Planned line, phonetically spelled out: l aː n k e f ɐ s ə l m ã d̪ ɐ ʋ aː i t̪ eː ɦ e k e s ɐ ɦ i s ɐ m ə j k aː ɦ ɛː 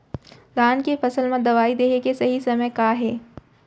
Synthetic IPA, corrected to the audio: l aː n k e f ɐ s ə l m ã d̪ ɐ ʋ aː i d̪ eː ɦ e k e s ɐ ɦ i s ɐ m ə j k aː ɦ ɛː

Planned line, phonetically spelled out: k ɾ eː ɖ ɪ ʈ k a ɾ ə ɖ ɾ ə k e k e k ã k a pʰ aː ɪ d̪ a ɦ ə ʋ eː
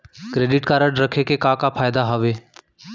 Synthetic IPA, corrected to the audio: k ɾ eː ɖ ɪ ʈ k a ɾ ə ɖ ɾ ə kʰ e k e k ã k a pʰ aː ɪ d̪ a ɦ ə ʋ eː

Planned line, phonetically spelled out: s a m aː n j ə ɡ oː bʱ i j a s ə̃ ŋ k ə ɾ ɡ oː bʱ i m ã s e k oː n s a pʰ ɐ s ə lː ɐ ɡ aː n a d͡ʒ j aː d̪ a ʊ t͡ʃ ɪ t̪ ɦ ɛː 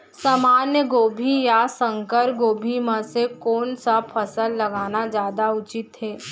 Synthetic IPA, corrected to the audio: s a m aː n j ə ɡ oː bʱ i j a s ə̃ ŋ k ə ɾ ɡ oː bʱ i m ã s e k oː n s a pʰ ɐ s ə lː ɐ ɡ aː n a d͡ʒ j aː d̪ a ʊ t͡ʃ ɪ t̪ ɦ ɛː

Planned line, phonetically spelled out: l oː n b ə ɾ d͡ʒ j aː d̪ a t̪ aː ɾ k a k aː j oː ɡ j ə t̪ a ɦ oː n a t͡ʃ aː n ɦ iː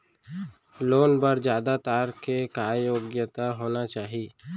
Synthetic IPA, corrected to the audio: l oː n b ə ɾ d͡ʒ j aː d̪ a t̪ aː ɾ k e k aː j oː ɡ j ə t̪ a ɦ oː n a t͡ʃ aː ɦ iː

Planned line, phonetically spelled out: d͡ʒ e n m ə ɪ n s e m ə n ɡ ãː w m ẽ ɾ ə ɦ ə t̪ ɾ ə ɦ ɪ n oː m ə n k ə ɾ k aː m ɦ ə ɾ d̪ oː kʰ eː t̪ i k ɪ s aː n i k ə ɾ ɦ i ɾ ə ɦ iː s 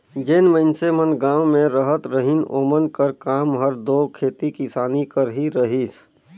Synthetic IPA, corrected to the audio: d͡ʒ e n m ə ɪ n s e m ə n ɡ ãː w m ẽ ɾ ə ɦ ə t̪ ɾ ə ɦ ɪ n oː m ə n k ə ɾ k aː m ɦ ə ɾ d̪ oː kʰ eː t̪ i k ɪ s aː n i k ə ɾ ɦ i ɾ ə ɦ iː s

